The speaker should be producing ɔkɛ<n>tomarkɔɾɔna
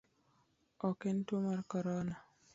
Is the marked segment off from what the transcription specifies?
no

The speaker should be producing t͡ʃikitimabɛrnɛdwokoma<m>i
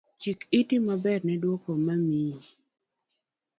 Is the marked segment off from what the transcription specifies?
no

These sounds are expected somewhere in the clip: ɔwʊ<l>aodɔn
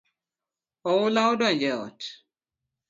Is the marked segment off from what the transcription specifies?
no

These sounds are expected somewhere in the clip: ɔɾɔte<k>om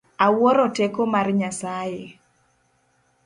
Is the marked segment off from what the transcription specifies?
no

